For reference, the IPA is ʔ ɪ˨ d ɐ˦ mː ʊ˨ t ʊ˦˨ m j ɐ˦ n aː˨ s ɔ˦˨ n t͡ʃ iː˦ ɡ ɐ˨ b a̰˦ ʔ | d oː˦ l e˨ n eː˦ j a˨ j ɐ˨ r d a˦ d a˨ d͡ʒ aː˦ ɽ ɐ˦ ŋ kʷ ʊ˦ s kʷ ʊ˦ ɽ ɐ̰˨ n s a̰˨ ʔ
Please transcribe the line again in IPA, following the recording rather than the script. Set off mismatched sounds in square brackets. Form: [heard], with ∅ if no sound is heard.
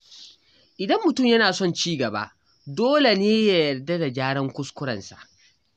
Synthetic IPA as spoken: ʔ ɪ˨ d ɐ˦ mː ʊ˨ t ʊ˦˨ m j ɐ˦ n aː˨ s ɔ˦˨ n t͡ʃ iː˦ ɡ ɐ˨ b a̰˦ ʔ | d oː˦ l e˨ n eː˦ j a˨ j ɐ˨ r d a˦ d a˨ d͡ʒ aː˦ ɽ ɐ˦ ŋ kʷ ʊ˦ s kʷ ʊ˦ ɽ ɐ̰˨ n s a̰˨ ʔ

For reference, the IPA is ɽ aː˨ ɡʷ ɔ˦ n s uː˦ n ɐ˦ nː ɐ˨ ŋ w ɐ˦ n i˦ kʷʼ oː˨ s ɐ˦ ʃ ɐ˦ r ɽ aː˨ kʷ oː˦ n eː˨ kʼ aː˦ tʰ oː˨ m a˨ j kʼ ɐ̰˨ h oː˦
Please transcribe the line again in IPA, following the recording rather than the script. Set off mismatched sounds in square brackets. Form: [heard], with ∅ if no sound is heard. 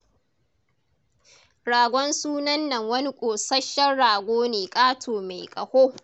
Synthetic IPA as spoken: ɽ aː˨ ɡʷ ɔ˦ n s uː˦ n ɐ˦ nː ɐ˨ ŋ w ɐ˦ n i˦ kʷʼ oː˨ s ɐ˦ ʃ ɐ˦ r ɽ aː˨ [ɡʷ] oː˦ n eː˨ kʼ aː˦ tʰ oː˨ m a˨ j kʼ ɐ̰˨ h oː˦

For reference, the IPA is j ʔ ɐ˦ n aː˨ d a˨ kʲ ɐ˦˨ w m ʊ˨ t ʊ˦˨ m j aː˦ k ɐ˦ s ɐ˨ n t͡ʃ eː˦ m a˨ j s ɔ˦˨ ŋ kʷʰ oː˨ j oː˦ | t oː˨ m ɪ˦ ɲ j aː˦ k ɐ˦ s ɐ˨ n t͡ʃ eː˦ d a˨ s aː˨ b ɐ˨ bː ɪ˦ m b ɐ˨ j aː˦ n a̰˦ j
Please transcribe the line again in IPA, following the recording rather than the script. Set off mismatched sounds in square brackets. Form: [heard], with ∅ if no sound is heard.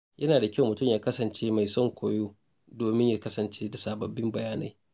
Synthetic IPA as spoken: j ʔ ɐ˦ n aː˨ d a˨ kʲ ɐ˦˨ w m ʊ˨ t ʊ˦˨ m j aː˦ k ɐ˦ s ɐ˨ n t͡ʃ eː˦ m a˨ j s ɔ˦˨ ŋ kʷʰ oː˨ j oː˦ | [d] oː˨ m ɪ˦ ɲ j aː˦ k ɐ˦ s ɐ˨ n t͡ʃ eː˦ d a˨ s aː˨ b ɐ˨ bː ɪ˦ m b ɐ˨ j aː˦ n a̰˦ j

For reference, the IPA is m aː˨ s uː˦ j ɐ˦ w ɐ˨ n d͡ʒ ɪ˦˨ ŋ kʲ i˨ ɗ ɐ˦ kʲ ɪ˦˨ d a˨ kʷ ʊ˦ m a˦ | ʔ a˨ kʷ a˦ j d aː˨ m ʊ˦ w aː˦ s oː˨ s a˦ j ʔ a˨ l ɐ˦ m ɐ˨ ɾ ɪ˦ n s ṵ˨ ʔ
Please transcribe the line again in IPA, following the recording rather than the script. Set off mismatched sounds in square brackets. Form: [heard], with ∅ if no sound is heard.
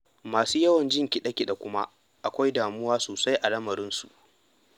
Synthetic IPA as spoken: m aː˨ s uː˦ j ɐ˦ w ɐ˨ n d͡ʒ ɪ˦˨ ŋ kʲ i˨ ɗ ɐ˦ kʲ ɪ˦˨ [ɗ] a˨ kʷ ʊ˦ m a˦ | ʔ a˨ kʷ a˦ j d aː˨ m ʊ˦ w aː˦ s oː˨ s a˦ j ʔ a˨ l ɐ˦ m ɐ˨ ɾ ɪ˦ n s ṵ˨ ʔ

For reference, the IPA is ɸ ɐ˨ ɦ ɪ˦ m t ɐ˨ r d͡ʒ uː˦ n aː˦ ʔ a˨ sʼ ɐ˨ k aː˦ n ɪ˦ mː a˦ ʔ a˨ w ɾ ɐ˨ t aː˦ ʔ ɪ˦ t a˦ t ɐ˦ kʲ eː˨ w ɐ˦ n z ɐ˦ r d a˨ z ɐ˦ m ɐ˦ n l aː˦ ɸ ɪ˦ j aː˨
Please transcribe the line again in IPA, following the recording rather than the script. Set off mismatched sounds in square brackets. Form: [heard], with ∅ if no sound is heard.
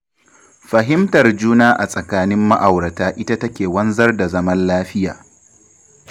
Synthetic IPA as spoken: ɸ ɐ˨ ɦ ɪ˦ m t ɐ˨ r d͡ʒ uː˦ n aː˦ ʔ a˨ sʼ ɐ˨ k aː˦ n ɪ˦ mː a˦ ʔ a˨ w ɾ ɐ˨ t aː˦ ʔ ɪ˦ t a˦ t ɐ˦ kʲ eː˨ w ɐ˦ n z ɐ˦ r d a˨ z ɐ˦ m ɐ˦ n l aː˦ ɸ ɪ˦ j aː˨

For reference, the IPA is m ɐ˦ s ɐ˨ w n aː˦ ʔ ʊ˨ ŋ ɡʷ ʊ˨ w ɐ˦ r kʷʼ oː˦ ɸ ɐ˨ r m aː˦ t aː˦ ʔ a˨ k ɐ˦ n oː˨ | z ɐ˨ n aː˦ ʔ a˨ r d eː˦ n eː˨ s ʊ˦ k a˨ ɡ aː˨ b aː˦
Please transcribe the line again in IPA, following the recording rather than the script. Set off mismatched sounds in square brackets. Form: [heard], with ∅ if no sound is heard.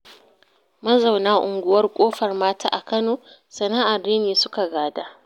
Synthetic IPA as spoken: m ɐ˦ [z] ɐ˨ w n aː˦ ʔ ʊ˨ ŋ ɡʷ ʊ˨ w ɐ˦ r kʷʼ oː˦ ɸ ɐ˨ r m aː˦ t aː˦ ʔ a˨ k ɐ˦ n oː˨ | [s] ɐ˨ n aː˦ ʔ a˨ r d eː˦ n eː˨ s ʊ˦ k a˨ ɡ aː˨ [d] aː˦

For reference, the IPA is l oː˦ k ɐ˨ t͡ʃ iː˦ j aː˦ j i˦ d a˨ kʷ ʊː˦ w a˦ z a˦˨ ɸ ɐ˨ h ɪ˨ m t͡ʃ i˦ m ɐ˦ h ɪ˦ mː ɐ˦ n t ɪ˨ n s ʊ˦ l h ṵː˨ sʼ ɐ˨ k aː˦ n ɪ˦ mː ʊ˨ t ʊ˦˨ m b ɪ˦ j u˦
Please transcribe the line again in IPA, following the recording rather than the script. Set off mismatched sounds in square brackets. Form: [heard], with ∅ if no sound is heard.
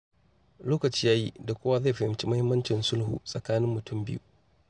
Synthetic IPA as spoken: l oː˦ k ɐ˨ t͡ʃ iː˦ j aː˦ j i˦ d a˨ kʷ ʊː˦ w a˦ z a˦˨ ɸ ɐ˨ h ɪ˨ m t͡ʃ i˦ m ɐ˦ h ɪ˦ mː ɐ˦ n [t͡ʃ] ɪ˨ n s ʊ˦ l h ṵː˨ sʼ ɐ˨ k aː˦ n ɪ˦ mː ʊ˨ t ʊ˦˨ m b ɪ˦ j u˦

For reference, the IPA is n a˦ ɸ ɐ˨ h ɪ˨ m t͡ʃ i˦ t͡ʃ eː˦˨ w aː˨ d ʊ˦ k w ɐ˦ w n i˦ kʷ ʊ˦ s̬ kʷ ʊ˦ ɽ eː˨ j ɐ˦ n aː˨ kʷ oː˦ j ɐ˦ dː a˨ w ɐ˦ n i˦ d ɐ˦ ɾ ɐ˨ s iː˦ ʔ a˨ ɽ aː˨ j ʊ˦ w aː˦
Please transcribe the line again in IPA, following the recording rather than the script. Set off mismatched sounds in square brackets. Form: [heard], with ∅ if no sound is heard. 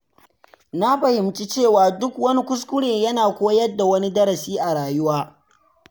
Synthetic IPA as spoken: n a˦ ɸ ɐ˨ h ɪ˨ m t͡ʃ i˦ t͡ʃ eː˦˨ w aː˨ d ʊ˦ k w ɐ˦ [∅] n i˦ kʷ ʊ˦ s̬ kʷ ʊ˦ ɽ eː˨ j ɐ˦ n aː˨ kʷ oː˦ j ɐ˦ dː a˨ w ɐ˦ n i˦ d ɐ˦ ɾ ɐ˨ s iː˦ ʔ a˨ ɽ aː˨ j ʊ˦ w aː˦

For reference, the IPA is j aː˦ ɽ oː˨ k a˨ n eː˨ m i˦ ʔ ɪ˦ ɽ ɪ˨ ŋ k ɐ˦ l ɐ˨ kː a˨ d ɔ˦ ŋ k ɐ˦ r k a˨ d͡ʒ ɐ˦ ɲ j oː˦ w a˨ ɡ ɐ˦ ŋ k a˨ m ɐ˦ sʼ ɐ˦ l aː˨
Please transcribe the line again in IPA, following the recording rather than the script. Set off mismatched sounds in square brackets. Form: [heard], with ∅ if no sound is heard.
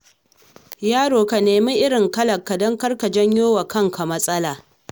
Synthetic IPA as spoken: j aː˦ ɽ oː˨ k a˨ n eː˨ m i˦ ʔ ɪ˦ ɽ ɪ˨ ŋ k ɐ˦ l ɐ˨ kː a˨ d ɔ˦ ŋ k ɐ˦ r k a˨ d͡ʒ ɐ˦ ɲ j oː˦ w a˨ [k] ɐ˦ ŋ k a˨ m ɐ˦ sʼ ɐ˦ l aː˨

